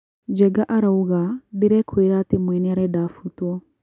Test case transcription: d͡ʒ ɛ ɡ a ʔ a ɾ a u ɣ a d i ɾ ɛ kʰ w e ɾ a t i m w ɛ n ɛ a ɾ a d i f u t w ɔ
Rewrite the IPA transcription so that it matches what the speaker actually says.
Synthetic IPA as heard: d͡ʒ ɛ ɡ a ʔ a ɾ a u ɣ a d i ɾ ɛ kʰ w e ɾ a t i m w ɛ n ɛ a ɾ ɛ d a f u t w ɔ